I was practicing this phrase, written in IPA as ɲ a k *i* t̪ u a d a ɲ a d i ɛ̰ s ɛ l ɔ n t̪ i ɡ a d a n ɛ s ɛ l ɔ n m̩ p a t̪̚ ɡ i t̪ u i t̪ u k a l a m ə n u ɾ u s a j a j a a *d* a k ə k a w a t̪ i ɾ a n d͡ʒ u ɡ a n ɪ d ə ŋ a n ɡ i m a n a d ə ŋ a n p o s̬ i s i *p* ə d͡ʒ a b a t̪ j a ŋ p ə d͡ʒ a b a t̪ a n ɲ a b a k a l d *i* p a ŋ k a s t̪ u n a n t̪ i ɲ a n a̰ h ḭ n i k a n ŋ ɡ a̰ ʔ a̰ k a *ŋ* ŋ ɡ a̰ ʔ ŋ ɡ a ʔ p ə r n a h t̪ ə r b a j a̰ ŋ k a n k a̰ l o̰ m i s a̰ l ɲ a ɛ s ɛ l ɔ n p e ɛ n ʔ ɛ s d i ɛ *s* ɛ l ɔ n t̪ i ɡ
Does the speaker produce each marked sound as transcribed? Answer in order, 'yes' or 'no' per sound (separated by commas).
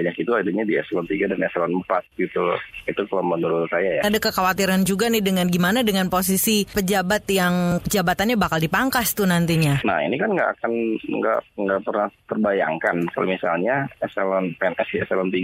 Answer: yes, yes, yes, yes, no, yes